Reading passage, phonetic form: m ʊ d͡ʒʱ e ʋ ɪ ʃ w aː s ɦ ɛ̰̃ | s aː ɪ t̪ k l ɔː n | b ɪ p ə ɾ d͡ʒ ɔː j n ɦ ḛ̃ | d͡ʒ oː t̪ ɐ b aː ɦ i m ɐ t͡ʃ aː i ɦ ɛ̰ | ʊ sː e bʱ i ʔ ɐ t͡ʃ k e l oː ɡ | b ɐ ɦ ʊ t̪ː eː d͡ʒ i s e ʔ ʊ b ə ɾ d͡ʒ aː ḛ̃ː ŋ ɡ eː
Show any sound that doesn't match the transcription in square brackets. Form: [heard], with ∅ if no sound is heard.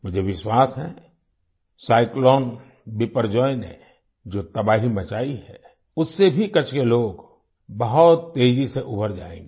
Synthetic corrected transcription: m ʊ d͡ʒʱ e ʋ ɪ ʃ w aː s ɦ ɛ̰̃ | s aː ɪ [∅] k l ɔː n | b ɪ p ə ɾ d͡ʒ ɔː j n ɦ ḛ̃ | d͡ʒ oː t̪ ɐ b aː ɦ i m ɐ t͡ʃ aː i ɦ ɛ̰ | ʊ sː e bʱ i [k] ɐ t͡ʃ k e l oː ɡ | b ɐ ɦ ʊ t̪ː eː d͡ʒ i s e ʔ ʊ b ə ɾ d͡ʒ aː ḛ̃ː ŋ ɡ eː